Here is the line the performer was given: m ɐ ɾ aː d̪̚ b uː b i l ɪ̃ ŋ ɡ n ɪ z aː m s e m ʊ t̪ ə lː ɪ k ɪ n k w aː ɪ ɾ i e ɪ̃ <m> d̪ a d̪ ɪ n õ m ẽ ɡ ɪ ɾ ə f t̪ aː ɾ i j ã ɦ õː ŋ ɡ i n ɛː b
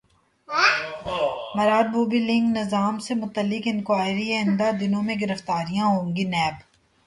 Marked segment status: incorrect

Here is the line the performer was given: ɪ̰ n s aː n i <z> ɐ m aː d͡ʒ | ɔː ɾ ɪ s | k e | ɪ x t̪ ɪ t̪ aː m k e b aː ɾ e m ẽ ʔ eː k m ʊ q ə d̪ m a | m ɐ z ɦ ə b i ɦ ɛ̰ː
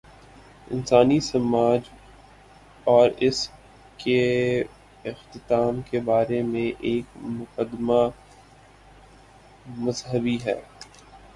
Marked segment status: incorrect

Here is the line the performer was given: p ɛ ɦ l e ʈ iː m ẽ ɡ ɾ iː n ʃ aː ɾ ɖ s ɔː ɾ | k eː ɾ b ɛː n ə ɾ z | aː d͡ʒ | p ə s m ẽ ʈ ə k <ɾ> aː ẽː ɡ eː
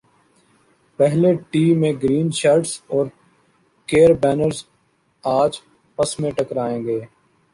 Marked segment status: correct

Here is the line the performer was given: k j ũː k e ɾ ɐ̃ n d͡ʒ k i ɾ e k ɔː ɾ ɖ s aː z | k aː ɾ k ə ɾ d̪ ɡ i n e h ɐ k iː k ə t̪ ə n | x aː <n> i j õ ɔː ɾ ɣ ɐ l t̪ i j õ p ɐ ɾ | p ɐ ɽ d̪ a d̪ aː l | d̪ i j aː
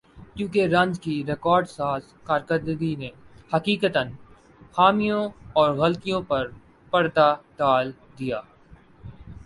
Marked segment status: incorrect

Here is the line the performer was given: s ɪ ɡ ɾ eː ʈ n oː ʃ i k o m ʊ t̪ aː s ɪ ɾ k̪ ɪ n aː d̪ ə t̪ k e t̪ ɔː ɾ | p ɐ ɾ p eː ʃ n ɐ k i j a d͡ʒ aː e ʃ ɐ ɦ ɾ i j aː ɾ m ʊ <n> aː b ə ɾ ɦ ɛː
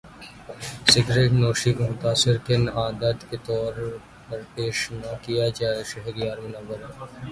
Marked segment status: correct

